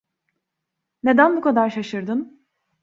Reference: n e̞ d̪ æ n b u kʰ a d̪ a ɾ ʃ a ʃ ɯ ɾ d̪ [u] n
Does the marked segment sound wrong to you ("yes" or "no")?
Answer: yes